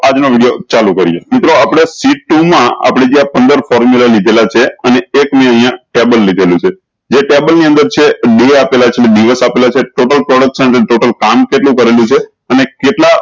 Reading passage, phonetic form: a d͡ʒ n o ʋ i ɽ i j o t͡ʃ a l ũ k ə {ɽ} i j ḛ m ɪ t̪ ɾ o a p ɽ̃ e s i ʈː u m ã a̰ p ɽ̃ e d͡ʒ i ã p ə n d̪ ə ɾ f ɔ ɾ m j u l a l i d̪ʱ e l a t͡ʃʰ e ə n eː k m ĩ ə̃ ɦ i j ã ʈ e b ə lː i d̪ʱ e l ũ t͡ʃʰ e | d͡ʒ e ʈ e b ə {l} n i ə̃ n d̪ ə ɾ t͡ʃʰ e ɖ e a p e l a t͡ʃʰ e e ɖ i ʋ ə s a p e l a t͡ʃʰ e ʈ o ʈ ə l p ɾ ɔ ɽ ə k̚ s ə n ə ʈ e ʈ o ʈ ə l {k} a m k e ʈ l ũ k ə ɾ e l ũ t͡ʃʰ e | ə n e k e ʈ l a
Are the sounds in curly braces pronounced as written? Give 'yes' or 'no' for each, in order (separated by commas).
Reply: no, yes, yes